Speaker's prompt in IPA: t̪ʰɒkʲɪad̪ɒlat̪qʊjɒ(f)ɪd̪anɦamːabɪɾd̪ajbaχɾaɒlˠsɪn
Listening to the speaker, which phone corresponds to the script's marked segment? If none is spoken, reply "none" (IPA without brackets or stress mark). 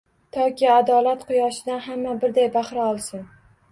ʃ